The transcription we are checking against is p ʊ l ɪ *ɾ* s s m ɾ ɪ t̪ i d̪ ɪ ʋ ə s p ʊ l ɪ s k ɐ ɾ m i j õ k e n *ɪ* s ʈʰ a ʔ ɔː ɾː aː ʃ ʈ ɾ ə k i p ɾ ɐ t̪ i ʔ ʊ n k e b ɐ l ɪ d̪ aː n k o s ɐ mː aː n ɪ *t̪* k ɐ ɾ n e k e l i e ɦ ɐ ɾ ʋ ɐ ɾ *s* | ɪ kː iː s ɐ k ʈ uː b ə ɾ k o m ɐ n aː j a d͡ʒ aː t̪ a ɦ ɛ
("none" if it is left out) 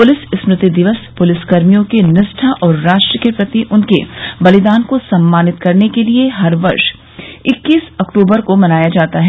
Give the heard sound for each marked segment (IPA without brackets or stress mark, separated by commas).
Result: none, ɪ, t̪, ʃ